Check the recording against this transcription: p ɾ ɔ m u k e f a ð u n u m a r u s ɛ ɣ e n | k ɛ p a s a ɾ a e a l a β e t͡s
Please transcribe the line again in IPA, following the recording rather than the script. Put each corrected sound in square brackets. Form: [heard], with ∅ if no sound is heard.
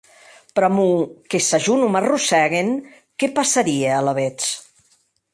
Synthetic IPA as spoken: p ɾ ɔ m u k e [s] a [ʒ] u n u m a r u s ɛ ɣ e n | k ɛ p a s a ɾ [i] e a l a β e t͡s